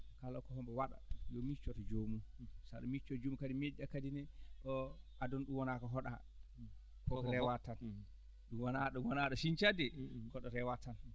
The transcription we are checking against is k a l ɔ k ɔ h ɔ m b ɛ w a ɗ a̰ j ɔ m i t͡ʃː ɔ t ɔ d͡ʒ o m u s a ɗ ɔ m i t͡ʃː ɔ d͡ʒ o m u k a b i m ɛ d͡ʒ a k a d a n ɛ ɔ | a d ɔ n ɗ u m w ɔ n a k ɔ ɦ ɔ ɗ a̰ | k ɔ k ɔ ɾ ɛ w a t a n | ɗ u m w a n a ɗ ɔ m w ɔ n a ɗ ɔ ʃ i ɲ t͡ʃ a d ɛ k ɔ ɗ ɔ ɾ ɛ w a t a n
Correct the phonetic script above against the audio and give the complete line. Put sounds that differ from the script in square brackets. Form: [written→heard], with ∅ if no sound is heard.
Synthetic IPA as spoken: k a l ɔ k ɔ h ɔ m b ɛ w a ɗ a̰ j ɔ m i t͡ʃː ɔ t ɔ d͡ʒ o m u s a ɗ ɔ m i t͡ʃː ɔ d͡ʒ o m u k a [b→d] i m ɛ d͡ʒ a k a d [a→i] n ɛ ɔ | a d ɔ n ɗ u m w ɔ n a k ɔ ɦ ɔ ɗ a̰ | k ɔ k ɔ ɾ ɛ w a t a n | ɗ u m w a n a ɗ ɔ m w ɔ n a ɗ ɔ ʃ i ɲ t͡ʃ a d ɛ k ɔ ɗ ɔ ɾ ɛ w a t a n